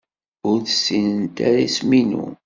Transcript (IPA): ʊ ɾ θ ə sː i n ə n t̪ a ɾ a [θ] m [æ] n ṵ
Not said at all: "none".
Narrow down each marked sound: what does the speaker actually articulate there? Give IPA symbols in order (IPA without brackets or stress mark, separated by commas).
s, i